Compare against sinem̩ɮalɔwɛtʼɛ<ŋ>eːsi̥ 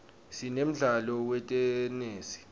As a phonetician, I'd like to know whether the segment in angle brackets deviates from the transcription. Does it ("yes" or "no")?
yes